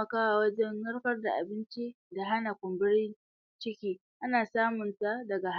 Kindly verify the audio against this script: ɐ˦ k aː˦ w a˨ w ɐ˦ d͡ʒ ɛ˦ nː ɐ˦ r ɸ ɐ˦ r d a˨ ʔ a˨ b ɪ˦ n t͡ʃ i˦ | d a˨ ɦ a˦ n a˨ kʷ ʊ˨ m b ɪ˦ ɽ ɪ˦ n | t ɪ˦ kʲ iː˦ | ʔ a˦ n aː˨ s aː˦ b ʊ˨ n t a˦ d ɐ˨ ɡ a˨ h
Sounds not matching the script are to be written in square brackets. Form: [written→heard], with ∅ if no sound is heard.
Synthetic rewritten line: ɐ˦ k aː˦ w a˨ w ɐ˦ d͡ʒ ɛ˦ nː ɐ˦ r ɸ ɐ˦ r d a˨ ʔ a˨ b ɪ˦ n t͡ʃ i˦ | d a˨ ɦ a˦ n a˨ kʷ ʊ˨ m b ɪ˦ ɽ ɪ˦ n | [t→t͡ʃ] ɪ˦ kʲ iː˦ | ʔ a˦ n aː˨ s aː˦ [b→m] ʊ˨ n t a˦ d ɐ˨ ɡ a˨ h